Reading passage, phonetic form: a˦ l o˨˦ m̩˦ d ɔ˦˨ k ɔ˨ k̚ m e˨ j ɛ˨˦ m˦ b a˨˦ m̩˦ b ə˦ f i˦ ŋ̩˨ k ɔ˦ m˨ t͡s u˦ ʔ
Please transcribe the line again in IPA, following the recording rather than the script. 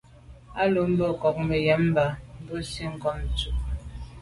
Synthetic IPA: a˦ l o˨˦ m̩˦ b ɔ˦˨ k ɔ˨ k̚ m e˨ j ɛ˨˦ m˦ b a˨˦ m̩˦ b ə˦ s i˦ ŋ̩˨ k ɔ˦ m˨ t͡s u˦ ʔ